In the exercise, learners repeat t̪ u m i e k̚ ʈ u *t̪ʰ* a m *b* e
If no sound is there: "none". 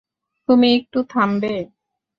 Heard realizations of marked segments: t̪ʰ, b

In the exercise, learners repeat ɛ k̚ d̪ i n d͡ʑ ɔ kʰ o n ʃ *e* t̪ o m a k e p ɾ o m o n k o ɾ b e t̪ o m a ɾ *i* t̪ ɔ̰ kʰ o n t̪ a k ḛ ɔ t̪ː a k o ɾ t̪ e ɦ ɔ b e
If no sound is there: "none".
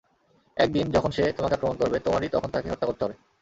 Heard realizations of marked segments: e, i

